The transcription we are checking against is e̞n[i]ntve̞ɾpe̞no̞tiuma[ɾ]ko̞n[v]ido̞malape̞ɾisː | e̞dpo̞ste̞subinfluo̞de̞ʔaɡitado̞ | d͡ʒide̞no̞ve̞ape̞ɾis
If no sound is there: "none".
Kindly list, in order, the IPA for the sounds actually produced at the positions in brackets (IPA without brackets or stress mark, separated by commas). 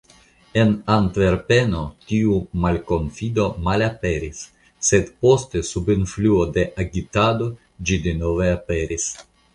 a, l, f